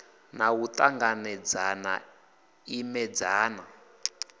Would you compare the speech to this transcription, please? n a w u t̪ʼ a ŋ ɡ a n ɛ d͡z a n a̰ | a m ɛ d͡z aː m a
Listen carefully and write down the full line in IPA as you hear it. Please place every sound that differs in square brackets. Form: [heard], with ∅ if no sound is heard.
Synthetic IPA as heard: n a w u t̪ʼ a ŋ ɡ a n ɛ d͡z a n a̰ | [i] m ɛ d͡z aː [n] a

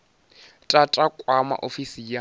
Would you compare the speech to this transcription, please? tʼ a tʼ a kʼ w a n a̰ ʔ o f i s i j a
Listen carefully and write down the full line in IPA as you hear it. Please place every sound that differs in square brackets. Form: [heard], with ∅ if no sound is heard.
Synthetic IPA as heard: tʼ a tʼ a kʼ w a [m] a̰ ʔ o f i s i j a

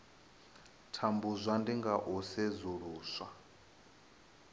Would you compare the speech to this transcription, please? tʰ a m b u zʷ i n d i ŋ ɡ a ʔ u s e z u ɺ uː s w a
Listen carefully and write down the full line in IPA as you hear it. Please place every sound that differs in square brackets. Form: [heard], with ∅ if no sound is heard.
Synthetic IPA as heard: tʰ a m b u zʷ [a] n d i ŋ ɡ a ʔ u s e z u ɺ uː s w a

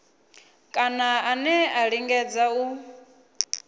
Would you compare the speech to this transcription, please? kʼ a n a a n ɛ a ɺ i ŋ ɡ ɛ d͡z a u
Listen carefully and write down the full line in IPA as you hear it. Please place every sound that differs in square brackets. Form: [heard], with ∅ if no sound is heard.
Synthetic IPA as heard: kʼ a n a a n ɛ a ɺ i ŋ ɡ ɛ d͡z a u

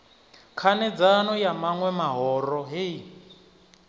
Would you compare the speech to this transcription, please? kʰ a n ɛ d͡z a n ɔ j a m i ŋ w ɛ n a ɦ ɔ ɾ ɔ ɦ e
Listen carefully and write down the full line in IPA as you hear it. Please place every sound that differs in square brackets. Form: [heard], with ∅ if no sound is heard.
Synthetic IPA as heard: kʰ a n ɛ d͡z a n ɔ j a m [a] ŋ w ɛ [m] a ɦ ɔ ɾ ɔ ɦ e

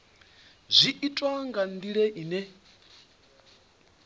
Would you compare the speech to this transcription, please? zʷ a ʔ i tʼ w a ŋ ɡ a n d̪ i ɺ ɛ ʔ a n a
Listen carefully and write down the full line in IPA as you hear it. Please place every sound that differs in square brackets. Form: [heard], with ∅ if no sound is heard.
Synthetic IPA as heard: zʷ [i] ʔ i tʼ w a ŋ ɡ a n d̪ i ɺ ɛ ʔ [i] n [ɛ]

